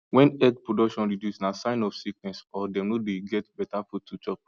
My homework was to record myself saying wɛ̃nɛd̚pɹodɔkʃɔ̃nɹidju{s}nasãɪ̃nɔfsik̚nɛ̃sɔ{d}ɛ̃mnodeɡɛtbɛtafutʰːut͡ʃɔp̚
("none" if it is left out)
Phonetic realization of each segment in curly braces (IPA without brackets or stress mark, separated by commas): s, d